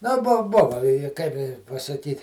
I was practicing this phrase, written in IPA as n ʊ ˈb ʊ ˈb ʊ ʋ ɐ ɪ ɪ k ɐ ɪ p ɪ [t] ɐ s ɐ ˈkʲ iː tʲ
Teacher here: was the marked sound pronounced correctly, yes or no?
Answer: no